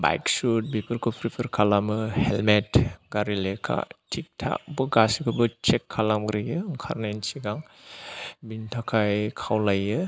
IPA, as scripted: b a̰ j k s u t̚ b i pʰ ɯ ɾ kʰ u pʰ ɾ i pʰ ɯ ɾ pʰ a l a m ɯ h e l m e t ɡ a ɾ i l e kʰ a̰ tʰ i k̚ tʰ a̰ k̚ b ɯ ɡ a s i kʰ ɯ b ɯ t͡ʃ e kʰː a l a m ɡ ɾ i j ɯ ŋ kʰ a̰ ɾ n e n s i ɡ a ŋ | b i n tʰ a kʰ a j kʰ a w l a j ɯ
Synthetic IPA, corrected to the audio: b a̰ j k s u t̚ b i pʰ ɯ ɾ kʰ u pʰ ɾ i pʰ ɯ ɾ kʰ a l a m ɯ h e l m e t ɡ a ɾ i l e kʰ a̰ tʰ i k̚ tʰ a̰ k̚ b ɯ ɡ a s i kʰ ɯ b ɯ t͡ʃ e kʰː a l a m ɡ ɾ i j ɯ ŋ kʰ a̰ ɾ n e n s i ɡ a ŋ | b i n tʰ a kʰ a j kʰ a w l a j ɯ